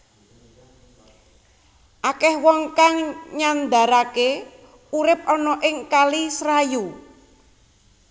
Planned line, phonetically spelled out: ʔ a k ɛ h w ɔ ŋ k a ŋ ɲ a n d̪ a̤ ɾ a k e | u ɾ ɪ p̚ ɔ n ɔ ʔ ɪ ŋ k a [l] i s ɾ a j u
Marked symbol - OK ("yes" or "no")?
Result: yes